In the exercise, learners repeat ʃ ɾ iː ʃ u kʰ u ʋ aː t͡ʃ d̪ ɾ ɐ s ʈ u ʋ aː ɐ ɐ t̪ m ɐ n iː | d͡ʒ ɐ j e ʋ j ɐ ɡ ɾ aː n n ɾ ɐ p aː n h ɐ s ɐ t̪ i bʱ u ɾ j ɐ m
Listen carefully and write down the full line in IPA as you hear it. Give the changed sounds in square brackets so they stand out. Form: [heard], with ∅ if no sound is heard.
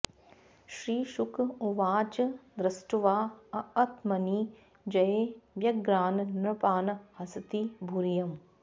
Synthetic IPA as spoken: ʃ ɾ iː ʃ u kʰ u ʋ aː t͡ʃ d̪ ɾ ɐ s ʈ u ʋ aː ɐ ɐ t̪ m ɐ n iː | d͡ʒ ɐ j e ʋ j ɐ ɡ ɾ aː n n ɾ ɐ p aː n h ɐ s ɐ t̪ i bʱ u ɾ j ɐ m